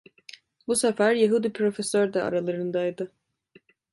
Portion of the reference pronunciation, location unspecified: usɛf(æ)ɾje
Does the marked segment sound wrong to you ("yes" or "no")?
no